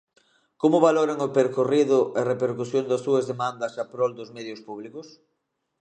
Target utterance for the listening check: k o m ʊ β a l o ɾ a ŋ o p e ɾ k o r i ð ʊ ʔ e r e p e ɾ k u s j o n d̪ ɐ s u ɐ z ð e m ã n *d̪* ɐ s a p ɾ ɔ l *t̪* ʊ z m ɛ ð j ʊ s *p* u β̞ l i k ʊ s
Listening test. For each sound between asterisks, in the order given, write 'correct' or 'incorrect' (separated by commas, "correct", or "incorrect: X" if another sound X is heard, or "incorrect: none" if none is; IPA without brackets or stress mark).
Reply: correct, incorrect: d̪, correct